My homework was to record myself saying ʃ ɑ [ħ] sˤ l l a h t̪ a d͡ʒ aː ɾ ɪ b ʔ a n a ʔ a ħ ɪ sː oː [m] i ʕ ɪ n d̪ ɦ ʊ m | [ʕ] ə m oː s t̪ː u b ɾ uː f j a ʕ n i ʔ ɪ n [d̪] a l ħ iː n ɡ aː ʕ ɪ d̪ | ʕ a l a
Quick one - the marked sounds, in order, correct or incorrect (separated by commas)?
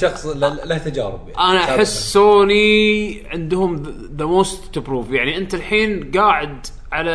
incorrect, incorrect, incorrect, incorrect